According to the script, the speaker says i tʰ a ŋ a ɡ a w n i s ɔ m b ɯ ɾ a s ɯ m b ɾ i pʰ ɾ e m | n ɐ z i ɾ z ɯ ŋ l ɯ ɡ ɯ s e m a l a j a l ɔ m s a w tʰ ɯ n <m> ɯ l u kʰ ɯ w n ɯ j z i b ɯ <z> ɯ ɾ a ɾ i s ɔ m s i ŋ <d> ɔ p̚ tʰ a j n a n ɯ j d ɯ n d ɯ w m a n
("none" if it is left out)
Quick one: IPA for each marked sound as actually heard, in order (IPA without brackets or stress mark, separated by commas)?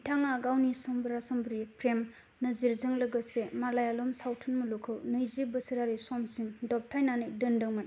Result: m, s, d